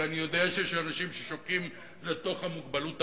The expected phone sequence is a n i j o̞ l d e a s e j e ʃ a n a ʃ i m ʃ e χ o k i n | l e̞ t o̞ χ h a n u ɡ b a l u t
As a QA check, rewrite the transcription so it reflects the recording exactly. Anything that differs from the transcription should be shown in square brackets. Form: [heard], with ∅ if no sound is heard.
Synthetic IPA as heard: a n i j o̞ [∅] d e a [ʃ] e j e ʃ a n a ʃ i m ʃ e [ʃ] o k i [m] | l e̞ t o̞ χ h a [m] u ɡ b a l u t